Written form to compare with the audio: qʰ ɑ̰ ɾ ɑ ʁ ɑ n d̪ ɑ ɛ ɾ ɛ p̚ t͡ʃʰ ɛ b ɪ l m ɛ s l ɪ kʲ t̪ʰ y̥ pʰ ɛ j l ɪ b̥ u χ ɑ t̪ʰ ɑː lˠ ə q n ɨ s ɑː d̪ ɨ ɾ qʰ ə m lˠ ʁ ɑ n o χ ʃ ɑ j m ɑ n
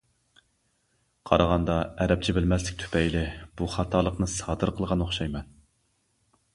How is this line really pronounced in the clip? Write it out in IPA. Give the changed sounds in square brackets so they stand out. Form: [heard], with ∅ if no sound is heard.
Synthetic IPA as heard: qʰ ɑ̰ ɾ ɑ ʁ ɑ n d̪ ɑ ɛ ɾ ɛ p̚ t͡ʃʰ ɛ b ɪ l m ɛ s l ɪ kʲ t̪ʰ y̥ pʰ ɛ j l ɪ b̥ u χ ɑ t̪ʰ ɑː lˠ ə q n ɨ s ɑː d̪ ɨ ɾ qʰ ə [∅] lˠ ʁ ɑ n o χ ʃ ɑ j m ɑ n